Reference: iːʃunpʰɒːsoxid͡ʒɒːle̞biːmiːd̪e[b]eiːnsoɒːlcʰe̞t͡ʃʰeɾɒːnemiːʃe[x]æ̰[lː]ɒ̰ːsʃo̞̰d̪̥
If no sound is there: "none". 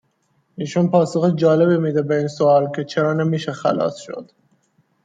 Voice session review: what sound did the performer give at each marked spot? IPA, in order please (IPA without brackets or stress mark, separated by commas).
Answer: b, x, l